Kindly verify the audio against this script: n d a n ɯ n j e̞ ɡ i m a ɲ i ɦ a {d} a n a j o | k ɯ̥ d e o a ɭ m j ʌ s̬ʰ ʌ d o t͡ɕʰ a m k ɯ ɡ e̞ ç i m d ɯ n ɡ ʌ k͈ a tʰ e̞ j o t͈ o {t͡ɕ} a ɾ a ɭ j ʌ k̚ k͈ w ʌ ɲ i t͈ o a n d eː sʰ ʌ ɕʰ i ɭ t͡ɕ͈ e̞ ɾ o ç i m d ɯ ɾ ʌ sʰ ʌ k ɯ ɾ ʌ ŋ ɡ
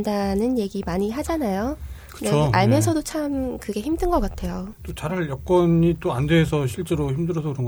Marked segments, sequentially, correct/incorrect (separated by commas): incorrect, correct